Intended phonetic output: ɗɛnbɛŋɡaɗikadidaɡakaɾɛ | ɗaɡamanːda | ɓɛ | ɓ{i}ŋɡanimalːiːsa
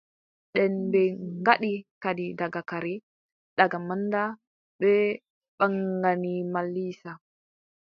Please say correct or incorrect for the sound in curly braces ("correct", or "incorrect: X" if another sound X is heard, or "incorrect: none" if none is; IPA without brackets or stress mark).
incorrect: a